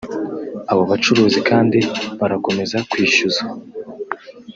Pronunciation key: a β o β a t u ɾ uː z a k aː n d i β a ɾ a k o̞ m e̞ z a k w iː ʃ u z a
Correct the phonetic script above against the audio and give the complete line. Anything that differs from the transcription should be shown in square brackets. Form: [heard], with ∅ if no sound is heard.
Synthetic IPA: a β o β a [t͡ʃ] u ɾ uː z [i] k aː n d i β a ɾ a k o̞ m e̞ z a k w iː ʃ u z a